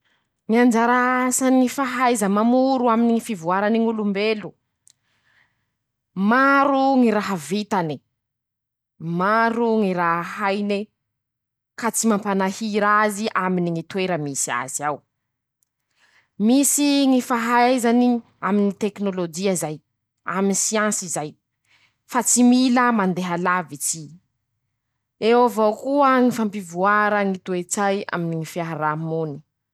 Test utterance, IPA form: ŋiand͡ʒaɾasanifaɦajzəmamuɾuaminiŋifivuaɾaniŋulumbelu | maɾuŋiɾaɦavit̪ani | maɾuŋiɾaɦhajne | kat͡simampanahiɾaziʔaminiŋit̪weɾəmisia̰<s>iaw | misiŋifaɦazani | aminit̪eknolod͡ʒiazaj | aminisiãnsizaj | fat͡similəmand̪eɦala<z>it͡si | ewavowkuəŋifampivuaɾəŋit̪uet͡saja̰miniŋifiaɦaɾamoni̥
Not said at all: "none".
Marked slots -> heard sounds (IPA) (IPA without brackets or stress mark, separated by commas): z, v